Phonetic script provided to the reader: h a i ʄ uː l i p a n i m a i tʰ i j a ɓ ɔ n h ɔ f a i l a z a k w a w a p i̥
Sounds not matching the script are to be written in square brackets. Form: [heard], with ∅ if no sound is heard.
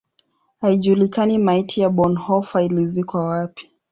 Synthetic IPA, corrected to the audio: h a i ʄ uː l i [k] a n i m a i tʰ i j a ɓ ɔ n h ɔ f a i l [i] z [i] k w a w a p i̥